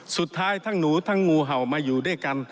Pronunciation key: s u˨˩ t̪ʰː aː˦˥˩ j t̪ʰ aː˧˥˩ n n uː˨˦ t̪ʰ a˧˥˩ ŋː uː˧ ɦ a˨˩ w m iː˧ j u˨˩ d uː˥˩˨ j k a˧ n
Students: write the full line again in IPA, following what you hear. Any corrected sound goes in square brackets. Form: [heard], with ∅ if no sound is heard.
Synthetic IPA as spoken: s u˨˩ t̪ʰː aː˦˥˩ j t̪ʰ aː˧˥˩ [ŋ] n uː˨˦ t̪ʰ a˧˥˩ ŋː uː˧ ɦ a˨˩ w m [aː˧] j [uː˨˩] d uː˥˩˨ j k a˧ n